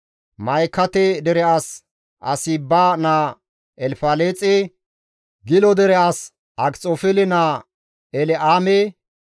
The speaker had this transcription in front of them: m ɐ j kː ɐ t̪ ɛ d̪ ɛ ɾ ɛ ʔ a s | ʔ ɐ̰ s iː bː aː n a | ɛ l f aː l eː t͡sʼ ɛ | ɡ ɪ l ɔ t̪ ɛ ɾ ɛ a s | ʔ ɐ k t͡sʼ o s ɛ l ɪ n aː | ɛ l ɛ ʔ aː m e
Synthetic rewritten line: m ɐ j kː ɐ t̪ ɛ d̪ ɛ ɾ ɛ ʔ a s | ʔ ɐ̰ s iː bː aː n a | ɛ l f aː l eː t͡sʼ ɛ | ɡ ɪ l ɔ d̪ ɛ ɾ ɛ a s | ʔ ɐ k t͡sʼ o f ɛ l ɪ n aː | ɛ l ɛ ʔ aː m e